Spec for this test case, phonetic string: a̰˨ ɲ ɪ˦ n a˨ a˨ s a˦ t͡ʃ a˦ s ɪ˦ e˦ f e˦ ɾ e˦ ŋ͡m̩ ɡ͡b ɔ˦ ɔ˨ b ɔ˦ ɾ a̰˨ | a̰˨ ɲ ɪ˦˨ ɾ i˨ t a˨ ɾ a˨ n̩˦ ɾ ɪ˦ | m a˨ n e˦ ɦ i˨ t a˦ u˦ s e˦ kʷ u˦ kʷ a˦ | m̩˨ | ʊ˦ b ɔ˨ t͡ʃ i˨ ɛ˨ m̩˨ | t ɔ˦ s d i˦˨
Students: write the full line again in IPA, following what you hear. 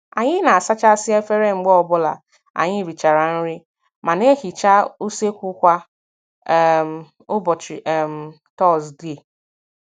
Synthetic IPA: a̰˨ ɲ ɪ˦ n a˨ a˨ s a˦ t͡ʃ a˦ s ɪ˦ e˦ f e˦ ɾ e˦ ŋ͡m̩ ɡ͡b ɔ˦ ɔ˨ b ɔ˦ l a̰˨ | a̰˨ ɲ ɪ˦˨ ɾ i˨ t͡ʃ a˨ ɾ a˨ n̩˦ ɾ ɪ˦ | m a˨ n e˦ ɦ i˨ t͡ʃ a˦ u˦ s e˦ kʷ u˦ kʷ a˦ | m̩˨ | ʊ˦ b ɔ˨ t͡ʃ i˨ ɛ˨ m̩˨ | t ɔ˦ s d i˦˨